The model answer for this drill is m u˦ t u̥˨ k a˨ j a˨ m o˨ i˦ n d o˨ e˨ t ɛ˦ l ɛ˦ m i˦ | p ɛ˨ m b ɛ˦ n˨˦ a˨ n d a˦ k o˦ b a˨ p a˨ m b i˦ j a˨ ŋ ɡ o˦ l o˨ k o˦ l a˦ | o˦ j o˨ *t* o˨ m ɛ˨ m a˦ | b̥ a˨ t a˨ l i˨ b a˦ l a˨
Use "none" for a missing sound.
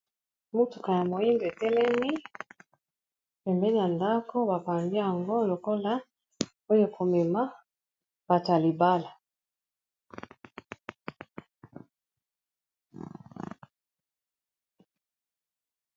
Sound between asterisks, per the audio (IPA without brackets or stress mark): k